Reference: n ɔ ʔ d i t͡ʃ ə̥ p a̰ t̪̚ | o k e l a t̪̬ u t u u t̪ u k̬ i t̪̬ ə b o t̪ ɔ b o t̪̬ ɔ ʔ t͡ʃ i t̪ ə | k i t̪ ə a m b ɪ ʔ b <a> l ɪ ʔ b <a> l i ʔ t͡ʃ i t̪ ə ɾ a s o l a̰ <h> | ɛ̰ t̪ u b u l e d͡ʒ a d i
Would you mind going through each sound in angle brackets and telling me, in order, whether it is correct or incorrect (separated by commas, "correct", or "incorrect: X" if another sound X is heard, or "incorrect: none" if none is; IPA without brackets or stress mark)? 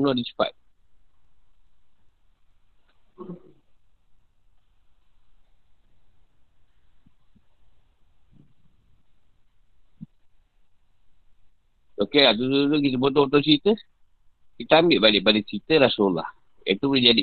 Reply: correct, correct, correct